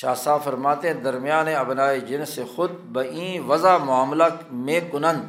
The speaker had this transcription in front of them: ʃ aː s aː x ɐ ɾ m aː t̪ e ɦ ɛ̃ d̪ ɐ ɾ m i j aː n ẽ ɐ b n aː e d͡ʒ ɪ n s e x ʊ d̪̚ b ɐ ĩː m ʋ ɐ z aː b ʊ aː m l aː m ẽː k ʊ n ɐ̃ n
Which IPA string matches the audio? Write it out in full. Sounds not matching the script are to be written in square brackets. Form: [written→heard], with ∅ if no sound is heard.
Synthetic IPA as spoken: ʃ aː s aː [x→f] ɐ ɾ m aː t̪ e ɦ ɛ̃ d̪ ɐ ɾ m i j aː n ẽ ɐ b n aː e d͡ʒ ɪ n s e x ʊ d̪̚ b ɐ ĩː [m→∅] ʋ ɐ z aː [b→m] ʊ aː m l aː m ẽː k ʊ n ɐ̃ n